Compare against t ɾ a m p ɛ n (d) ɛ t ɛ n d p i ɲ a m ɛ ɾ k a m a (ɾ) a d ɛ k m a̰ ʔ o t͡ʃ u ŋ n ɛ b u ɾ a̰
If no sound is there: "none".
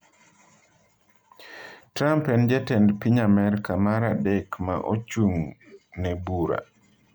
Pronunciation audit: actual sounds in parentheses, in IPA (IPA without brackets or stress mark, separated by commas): d͡ʒ, ɾ